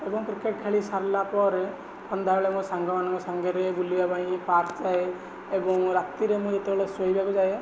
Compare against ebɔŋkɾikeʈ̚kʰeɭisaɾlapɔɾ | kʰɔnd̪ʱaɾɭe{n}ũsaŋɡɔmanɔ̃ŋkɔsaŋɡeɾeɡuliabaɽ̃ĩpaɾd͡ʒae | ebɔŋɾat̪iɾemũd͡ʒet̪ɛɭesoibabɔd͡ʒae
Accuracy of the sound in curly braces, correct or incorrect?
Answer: incorrect